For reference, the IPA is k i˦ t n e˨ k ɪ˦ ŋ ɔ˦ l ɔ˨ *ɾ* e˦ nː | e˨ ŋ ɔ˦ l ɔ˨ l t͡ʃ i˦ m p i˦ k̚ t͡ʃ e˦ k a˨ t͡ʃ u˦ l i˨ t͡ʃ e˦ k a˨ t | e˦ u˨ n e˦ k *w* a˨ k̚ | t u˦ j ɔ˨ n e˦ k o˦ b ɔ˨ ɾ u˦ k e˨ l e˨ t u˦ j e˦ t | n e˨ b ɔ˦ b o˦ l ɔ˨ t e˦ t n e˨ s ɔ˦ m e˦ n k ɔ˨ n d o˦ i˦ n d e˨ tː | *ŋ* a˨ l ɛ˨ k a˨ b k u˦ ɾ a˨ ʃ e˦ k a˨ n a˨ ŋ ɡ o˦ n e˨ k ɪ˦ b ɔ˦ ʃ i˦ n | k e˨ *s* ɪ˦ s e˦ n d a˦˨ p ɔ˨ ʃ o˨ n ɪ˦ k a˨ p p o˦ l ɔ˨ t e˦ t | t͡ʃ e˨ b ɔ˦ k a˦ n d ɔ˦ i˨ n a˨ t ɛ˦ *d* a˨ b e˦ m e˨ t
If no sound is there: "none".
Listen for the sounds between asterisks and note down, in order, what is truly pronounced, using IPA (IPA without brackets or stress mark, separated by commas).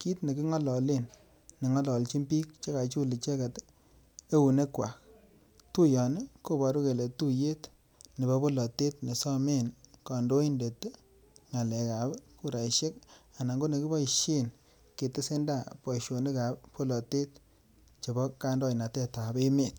l, w, ŋ, t, t